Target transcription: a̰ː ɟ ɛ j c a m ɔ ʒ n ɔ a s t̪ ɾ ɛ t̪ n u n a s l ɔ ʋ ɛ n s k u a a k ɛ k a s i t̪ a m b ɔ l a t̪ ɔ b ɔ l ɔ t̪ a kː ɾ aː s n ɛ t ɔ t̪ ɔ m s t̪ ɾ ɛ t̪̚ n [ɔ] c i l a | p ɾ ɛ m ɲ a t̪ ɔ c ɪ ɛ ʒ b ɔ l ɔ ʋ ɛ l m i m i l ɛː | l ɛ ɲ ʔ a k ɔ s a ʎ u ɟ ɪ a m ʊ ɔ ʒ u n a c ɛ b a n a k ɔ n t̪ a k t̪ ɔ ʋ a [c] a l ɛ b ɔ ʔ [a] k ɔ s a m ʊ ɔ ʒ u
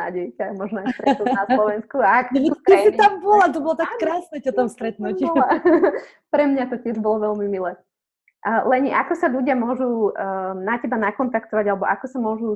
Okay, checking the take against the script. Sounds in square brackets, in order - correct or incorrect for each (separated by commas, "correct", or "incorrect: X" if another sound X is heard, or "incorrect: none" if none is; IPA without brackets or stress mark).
incorrect: u, incorrect: ɟ, correct